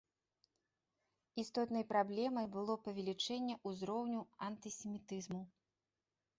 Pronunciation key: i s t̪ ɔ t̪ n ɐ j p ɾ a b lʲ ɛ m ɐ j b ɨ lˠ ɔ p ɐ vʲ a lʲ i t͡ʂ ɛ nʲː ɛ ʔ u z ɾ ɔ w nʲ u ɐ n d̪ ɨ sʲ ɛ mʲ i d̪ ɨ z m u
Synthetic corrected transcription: i s t̪ ɔ t̪ n ɐ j p ɾ a b lʲ ɛ m ɐ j b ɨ lˠ ɔ p ɐ vʲ ɛ lʲ i t͡ʂ ɛ nʲː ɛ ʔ u z ɾ ɔ w nʲ u ɐ n t̪ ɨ sʲ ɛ mʲ i t̪ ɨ z m u